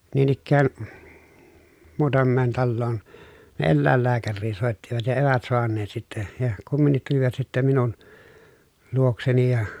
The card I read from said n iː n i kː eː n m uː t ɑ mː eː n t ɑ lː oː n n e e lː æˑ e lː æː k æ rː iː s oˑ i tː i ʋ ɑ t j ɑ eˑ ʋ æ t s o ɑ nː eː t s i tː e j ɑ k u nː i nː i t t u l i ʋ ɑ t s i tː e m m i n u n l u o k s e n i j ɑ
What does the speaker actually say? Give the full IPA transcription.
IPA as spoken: n iː n i kː æː n m uː t ɑ mː eː n t ɑ lː oː n n e e lː æˑ e lː æː k æ rː iː s oˑ e tː i ʋ ɑ t j ɑ eˑ ʋ æ t s o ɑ nː eː t s i tː e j ɑ k u mː i nː i t t u l i ʋ ɑ t s i tː e m m i n u n l u o k s e n i j ɑ